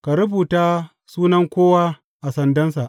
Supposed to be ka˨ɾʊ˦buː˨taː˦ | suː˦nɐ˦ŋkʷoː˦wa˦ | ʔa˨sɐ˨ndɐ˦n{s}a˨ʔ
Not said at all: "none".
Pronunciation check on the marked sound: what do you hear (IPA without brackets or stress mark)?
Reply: s